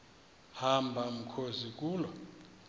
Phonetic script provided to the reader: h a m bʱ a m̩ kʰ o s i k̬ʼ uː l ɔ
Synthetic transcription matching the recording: h a m bʱ a m̩ kʰ o z i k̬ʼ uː l ɔ